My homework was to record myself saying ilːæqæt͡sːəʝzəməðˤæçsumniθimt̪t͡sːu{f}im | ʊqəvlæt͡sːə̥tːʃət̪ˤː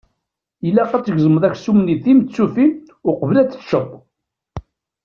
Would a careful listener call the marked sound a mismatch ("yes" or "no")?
no